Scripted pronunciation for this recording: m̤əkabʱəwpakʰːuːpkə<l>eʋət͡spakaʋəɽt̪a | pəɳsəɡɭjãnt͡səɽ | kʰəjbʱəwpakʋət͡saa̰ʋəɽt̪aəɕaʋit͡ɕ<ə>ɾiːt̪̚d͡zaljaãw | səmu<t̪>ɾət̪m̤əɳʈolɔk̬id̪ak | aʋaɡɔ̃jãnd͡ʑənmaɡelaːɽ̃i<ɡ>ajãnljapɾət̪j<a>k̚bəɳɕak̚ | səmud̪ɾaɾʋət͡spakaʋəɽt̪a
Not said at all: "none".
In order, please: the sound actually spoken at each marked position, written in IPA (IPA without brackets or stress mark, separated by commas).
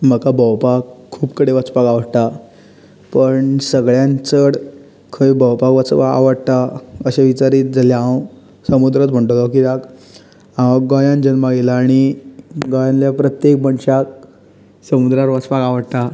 ɽ, a, d̪, ɡ, e